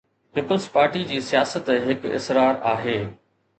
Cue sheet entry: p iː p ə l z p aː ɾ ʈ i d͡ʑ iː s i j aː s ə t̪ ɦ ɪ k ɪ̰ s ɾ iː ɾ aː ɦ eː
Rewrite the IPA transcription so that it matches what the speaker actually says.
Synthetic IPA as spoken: p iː p ə l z p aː ɾ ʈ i d͡ʑ iː s i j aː s ə t̪ ɦ ɪ k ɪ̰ s ɾ aː ɾ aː ɦ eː